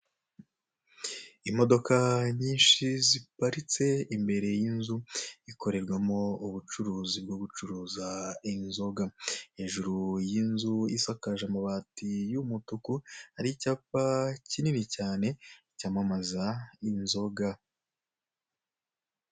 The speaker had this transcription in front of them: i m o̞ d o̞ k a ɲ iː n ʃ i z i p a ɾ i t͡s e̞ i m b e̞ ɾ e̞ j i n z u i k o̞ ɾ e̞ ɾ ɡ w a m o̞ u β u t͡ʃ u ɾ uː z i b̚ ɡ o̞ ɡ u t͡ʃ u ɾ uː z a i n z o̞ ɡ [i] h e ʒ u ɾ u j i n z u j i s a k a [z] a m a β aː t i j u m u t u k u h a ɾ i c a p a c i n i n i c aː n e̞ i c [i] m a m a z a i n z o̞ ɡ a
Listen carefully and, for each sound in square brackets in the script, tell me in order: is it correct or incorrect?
incorrect: a, incorrect: ʒ, incorrect: a

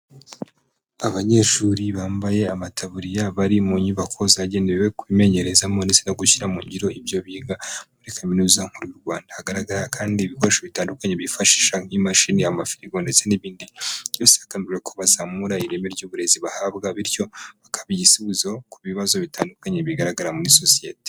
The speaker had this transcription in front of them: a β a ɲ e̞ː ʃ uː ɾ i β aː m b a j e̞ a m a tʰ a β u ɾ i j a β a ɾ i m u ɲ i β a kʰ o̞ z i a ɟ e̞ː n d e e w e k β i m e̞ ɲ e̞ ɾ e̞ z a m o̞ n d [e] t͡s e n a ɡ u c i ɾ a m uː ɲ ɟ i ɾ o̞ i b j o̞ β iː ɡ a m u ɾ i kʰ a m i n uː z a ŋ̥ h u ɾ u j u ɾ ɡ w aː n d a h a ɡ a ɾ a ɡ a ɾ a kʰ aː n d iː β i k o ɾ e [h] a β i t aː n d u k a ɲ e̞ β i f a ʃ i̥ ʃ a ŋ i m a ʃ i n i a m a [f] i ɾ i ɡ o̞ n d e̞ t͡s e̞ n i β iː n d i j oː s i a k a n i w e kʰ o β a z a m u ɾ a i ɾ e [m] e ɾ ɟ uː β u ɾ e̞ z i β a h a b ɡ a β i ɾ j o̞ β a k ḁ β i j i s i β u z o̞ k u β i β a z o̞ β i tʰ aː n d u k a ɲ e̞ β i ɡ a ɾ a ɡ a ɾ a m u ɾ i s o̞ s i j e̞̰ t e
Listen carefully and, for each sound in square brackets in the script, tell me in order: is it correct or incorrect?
correct, incorrect: ʃ, correct, correct

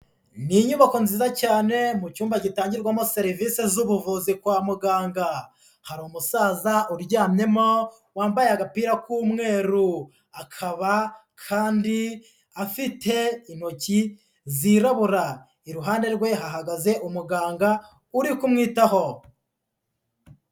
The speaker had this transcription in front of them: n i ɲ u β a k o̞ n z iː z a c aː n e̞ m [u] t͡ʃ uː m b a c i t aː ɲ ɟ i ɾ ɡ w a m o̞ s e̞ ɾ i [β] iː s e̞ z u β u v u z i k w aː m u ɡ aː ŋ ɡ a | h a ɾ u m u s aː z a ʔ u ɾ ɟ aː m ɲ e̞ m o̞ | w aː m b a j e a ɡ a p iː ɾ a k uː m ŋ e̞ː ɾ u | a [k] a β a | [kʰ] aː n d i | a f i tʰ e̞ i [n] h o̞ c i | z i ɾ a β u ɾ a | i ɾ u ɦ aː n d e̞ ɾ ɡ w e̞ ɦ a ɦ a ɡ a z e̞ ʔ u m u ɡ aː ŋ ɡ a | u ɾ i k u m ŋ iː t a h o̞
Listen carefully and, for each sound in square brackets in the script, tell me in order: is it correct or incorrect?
correct, incorrect: v, incorrect: kʰ, correct, correct

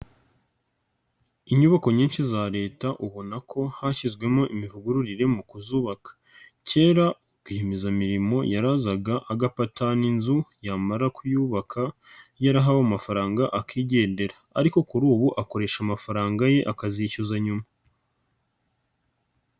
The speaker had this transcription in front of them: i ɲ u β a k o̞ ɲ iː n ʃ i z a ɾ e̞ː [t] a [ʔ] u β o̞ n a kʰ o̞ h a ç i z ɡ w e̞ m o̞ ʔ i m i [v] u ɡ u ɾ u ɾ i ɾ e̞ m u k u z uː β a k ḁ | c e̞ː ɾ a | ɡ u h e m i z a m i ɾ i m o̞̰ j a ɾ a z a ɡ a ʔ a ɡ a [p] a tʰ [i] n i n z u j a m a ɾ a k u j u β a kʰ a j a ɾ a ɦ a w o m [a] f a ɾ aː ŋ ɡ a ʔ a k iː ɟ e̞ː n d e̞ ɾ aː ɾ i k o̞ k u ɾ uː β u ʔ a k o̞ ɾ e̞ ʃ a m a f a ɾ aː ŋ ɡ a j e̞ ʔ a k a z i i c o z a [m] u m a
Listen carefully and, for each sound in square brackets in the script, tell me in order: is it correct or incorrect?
correct, correct, correct, correct, incorrect: a, correct, incorrect: ɲ

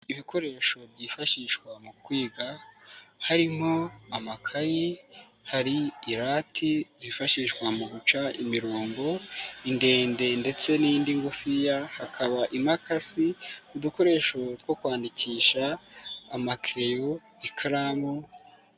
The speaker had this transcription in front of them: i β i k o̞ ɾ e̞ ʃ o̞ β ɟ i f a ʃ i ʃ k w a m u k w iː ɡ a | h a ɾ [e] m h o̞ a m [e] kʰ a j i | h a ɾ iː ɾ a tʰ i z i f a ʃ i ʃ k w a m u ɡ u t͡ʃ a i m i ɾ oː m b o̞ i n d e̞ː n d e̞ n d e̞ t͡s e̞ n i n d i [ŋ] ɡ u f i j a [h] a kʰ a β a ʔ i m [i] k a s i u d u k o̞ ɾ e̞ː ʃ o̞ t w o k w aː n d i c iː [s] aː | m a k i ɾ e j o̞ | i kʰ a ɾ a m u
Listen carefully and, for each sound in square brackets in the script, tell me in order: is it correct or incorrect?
incorrect: i, incorrect: a, correct, correct, incorrect: a, incorrect: ʃ

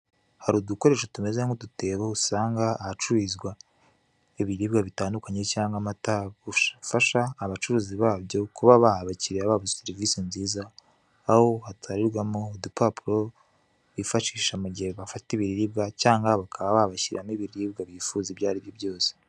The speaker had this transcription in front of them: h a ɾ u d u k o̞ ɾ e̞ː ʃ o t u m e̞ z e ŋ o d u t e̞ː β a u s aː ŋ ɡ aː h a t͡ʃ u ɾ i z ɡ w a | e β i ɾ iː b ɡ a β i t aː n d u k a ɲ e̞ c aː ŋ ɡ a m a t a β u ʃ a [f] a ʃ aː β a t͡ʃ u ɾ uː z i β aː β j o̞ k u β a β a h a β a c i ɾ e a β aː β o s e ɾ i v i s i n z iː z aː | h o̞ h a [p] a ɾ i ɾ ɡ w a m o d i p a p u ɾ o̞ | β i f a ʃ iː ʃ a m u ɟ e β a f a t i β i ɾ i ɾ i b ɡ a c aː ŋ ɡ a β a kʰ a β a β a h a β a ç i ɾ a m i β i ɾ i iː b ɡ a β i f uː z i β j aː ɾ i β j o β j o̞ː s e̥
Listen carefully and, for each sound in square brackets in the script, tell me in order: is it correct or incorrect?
correct, incorrect: t

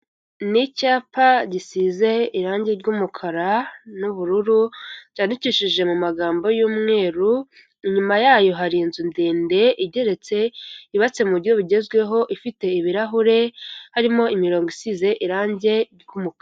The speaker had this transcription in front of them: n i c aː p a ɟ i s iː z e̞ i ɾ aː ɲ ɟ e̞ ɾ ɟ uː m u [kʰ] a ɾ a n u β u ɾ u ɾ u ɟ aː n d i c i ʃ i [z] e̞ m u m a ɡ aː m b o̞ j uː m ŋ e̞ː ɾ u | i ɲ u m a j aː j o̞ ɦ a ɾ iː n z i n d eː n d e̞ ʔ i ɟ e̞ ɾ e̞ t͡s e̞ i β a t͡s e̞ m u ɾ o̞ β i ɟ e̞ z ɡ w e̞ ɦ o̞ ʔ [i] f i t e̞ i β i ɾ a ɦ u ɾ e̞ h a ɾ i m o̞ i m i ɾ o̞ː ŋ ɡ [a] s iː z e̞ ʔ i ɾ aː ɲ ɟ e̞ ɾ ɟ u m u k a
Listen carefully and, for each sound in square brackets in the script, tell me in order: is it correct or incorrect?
correct, incorrect: ʒ, correct, incorrect: i

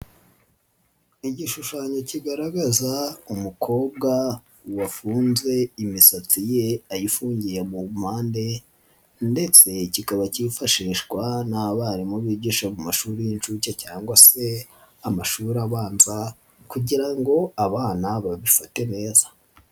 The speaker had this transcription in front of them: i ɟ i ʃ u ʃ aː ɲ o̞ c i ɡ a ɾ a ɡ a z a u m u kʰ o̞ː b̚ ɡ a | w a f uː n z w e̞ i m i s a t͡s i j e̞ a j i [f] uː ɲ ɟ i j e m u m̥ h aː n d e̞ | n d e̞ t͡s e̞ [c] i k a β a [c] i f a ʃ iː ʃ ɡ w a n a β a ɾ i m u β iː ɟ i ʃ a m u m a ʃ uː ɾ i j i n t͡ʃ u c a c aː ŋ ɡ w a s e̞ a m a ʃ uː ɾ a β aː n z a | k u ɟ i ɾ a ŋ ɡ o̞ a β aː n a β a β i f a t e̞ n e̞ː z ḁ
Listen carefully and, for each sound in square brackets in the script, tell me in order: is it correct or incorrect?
correct, correct, correct

